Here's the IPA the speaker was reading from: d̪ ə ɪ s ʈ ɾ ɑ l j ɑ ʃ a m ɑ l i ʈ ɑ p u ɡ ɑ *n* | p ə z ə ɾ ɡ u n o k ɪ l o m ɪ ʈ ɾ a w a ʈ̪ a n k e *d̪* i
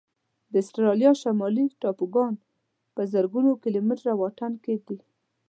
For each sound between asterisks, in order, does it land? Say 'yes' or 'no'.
yes, yes

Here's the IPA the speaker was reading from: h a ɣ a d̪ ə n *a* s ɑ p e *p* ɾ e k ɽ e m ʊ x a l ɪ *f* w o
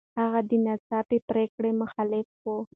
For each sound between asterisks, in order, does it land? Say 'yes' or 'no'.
yes, yes, yes

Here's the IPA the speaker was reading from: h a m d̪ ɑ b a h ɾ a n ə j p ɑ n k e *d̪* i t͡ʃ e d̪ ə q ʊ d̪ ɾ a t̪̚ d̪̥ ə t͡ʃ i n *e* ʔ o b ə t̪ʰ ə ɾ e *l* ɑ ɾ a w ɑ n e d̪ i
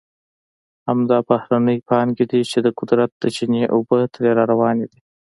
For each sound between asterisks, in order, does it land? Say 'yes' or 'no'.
yes, yes, no

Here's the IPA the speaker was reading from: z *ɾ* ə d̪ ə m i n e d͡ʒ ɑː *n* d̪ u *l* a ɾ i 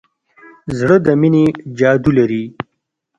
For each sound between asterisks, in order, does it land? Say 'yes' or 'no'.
no, no, yes

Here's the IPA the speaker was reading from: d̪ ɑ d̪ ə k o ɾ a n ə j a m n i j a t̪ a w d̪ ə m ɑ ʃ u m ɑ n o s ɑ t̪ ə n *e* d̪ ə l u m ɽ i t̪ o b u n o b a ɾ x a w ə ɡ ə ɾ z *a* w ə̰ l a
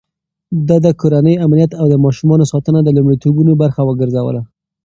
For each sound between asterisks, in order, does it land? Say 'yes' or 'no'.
no, yes

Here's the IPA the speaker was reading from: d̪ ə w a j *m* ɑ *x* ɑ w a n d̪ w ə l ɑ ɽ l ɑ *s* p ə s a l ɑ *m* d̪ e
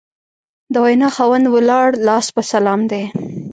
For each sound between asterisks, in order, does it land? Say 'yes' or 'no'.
no, yes, yes, yes

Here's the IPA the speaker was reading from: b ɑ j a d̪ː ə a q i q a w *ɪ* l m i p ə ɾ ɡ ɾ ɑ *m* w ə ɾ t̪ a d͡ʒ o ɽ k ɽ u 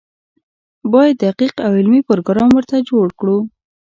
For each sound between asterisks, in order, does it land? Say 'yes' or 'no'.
yes, yes

